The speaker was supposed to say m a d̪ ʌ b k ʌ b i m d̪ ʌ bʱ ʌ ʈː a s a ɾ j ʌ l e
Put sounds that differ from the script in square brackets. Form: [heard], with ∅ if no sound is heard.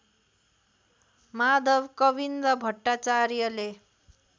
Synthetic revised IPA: m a d̪ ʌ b k ʌ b i [n] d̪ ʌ bʱ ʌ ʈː a [t͡s] a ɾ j ʌ l e